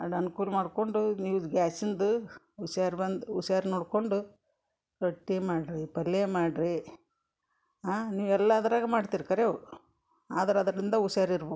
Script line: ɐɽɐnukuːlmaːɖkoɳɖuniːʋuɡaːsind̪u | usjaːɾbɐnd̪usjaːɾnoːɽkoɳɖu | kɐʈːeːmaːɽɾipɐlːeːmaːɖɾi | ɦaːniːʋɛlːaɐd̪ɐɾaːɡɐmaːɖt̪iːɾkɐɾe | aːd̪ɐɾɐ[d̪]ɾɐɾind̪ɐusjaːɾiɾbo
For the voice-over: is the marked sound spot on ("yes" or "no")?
yes